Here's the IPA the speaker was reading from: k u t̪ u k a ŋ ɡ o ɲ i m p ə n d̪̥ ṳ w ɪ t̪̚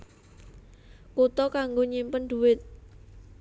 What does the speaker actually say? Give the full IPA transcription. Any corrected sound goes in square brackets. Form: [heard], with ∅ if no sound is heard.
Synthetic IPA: k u t̪ [ɔ] k a ŋ ɡ o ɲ i m p ə n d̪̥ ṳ w ɪ t̪̚